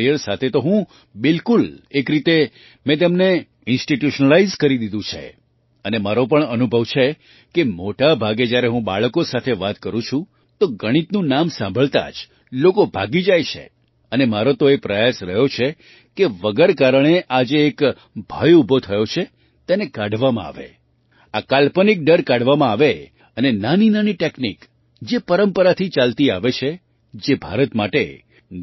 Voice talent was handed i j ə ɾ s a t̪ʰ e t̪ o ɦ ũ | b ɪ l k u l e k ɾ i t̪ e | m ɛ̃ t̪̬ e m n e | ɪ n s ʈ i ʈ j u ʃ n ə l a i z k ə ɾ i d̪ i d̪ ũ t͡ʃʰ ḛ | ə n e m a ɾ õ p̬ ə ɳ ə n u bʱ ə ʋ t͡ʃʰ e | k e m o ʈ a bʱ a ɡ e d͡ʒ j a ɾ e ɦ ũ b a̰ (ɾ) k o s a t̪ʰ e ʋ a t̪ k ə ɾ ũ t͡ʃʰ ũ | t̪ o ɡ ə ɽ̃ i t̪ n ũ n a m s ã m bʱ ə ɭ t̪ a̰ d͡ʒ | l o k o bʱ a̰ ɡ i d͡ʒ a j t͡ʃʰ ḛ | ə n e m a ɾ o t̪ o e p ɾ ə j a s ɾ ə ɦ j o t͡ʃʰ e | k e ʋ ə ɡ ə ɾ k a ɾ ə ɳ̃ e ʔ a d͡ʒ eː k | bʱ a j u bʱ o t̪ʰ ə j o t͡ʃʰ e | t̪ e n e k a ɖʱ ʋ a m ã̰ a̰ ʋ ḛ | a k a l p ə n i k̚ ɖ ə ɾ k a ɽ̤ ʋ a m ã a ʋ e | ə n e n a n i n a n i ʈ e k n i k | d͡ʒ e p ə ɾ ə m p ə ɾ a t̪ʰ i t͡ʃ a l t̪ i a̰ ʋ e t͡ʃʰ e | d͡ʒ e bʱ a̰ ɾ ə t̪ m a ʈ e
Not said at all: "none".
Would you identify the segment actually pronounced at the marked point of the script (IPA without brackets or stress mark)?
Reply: ɭ